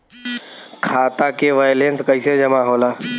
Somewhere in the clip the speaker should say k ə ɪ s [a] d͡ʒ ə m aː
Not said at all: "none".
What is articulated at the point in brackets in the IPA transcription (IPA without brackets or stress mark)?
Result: e